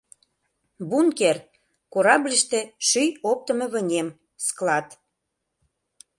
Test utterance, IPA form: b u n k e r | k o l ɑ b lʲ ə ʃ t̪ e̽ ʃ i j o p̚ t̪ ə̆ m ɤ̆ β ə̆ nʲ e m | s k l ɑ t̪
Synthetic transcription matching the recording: b u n k e r | k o ɾ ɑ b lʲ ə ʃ t̪ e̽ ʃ y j o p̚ t̪ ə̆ m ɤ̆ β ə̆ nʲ e m | s k l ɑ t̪